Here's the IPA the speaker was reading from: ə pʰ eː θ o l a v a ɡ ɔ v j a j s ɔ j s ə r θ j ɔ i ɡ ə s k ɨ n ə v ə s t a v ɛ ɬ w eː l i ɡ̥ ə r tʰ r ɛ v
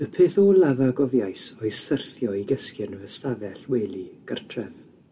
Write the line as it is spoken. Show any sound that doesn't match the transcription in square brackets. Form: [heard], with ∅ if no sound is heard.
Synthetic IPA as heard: ə pʰ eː θ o l a v a ɡ ɔ v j a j s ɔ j s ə r θ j ɔ i ɡ ə s k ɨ n ə v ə s t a v ɛ ɬ w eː l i ɡ̥ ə r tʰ r ɛ v